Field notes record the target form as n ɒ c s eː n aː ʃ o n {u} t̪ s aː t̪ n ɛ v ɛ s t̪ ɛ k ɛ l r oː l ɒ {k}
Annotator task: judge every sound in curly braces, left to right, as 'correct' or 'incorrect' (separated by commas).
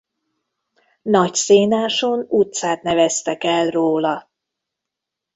correct, incorrect